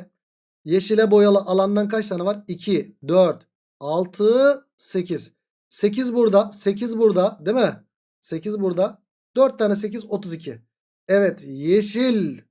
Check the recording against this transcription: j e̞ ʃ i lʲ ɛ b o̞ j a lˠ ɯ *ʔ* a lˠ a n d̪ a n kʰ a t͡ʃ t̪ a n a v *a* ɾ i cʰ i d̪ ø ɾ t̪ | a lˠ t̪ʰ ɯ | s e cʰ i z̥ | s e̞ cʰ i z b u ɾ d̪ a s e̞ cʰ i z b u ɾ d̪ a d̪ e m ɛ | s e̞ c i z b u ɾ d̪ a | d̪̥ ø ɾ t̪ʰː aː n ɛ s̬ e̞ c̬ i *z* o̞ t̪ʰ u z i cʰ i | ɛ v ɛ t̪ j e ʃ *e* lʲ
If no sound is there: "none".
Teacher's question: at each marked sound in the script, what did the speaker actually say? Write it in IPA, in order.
ʔ, a, z, i

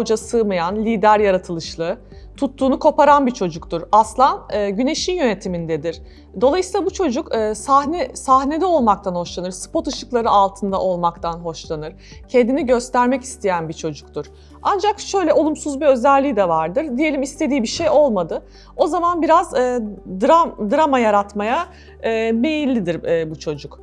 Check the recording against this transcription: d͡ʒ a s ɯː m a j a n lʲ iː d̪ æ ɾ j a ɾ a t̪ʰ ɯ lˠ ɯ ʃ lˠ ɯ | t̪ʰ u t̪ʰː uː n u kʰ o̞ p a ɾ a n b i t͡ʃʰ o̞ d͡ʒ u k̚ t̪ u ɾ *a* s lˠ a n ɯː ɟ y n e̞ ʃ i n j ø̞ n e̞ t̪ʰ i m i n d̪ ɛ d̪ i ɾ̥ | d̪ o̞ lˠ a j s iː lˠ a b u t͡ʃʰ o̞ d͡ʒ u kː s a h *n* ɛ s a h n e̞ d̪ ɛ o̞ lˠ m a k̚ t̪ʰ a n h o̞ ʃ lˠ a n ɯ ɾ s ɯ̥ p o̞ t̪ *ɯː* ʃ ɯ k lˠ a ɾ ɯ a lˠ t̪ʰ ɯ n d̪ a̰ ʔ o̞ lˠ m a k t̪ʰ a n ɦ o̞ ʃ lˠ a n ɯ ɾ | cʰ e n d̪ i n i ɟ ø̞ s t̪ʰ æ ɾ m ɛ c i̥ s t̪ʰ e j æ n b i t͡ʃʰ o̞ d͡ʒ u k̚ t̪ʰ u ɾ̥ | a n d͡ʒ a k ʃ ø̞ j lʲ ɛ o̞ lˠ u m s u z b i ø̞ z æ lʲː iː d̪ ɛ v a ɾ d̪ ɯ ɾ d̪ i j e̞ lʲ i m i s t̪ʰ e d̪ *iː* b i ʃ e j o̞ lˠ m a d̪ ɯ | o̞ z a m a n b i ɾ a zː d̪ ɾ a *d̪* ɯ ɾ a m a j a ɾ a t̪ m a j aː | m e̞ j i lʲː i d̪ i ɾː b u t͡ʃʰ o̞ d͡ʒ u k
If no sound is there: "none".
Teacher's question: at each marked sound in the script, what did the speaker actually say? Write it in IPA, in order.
a, n, ɯ, iː, d̪

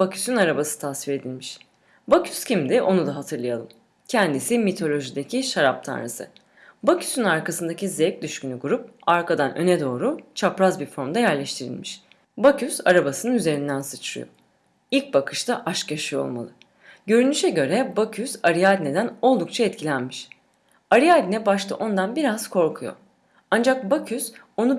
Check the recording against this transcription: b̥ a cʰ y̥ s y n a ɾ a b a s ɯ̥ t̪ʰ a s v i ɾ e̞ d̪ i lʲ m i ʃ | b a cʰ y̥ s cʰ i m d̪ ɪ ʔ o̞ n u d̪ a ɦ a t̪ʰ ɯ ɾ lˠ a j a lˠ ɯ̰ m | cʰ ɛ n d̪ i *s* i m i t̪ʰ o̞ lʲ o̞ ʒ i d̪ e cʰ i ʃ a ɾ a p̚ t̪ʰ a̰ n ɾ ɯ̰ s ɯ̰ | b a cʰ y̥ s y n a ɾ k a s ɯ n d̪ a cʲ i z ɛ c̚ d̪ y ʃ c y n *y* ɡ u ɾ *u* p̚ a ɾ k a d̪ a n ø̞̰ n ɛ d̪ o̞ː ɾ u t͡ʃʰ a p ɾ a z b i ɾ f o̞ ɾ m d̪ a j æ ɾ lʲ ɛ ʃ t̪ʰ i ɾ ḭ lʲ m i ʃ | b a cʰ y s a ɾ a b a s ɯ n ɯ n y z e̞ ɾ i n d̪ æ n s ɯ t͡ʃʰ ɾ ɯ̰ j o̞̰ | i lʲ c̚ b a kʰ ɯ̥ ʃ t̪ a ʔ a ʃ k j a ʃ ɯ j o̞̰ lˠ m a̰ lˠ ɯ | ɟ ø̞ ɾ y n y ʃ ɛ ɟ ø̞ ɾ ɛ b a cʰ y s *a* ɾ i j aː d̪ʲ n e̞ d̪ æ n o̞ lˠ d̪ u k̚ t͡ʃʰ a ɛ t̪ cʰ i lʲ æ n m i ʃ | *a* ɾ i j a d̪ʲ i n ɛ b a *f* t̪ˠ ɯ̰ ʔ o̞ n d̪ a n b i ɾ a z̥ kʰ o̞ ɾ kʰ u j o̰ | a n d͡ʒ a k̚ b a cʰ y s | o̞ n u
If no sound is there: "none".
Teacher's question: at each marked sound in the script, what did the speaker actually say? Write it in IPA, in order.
s, y, u, a, a, ʃ

